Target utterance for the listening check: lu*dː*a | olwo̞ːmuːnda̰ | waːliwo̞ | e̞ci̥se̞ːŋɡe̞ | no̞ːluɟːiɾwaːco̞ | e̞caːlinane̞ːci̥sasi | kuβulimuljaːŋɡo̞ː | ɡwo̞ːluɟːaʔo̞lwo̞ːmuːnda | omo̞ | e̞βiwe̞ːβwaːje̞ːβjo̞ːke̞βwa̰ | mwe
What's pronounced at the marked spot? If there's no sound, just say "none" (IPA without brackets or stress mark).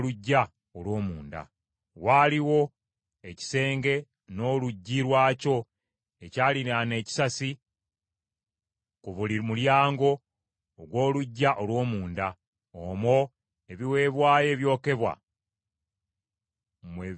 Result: ɟː